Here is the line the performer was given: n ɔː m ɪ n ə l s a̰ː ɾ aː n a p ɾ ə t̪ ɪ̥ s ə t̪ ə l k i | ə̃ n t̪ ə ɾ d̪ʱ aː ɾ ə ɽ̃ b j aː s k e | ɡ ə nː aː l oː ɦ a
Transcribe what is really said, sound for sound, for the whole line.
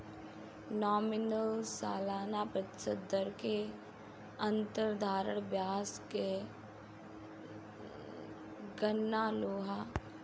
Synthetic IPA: n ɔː m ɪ n ə l s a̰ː l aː n a p ɾ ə t̪ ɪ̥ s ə d̪ ə ɾ k e | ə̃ n t̪ ə ɾ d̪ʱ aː ɾ ə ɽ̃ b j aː s k e | ɡ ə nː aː l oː ɦ a